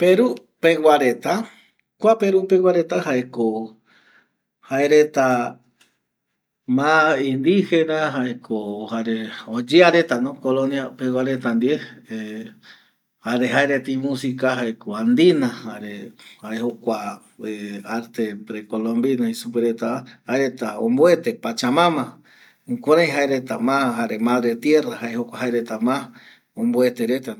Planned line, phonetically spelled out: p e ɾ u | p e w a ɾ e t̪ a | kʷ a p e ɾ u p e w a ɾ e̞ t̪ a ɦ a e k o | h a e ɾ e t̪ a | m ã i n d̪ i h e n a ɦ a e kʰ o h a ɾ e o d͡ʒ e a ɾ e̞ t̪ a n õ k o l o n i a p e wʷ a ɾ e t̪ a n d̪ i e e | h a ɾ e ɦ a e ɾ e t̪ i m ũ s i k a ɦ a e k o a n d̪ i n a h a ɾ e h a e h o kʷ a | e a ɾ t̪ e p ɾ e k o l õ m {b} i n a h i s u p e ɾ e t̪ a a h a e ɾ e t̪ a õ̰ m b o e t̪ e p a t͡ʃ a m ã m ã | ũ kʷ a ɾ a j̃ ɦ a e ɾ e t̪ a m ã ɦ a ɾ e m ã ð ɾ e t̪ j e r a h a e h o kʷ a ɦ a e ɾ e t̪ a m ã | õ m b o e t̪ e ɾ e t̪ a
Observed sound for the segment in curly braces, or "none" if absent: b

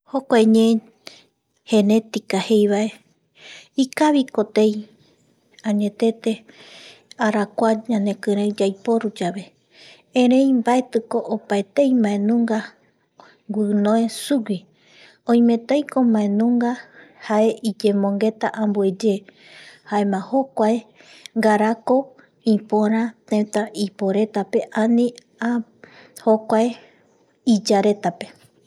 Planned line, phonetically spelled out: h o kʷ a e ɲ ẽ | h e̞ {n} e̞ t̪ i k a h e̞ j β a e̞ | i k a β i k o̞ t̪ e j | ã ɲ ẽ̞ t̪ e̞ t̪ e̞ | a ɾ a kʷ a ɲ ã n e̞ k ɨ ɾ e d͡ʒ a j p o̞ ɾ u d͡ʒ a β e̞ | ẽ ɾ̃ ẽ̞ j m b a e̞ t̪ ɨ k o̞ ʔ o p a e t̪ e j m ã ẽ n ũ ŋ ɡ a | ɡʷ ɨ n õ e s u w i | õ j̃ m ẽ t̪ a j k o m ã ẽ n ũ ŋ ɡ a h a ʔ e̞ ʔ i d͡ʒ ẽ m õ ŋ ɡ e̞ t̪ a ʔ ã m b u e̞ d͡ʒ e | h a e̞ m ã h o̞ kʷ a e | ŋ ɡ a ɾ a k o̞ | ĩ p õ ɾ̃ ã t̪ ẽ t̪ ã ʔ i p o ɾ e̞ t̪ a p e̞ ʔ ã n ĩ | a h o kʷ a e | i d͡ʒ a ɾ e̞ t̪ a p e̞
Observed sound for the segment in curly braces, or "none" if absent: n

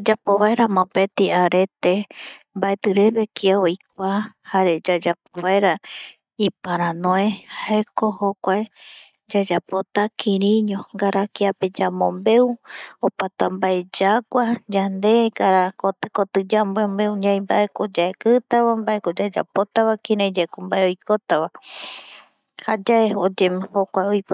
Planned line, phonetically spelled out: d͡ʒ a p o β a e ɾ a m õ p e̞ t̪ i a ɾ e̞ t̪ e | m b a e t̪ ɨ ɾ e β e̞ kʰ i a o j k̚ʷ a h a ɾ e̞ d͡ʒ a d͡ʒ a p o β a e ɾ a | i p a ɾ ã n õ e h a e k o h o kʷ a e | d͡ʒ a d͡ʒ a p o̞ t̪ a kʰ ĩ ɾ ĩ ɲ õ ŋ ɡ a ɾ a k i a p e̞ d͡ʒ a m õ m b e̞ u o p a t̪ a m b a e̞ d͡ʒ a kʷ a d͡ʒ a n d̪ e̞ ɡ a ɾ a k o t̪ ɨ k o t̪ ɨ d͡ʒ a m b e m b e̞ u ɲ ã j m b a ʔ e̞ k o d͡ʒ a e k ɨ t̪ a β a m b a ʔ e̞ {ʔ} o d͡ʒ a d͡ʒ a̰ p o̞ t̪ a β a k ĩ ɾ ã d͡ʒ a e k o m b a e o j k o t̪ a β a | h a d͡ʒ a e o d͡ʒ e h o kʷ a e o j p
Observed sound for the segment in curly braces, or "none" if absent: k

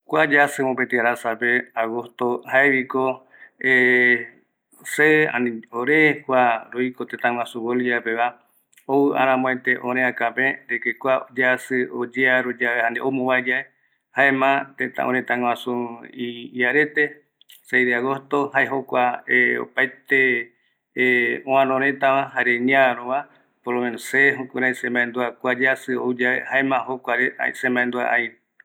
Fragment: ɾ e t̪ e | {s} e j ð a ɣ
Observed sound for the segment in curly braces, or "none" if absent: s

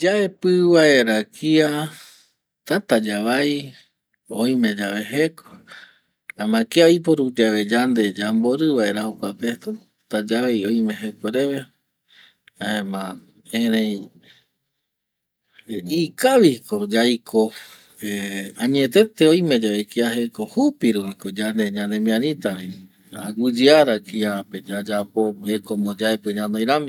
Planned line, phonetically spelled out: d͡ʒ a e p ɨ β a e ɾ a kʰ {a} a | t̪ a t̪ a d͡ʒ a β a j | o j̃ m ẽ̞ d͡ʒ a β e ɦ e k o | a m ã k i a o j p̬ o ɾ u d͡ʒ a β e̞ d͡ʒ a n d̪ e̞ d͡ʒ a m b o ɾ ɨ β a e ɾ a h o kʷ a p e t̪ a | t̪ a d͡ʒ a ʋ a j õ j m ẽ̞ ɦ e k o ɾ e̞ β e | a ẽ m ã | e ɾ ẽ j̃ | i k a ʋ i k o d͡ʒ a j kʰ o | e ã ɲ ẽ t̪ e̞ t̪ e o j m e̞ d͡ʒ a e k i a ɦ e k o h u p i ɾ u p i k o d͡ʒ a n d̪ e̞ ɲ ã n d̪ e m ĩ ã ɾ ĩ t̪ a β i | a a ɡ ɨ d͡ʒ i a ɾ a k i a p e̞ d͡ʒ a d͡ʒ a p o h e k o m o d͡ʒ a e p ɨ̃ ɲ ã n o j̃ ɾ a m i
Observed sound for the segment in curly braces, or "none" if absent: i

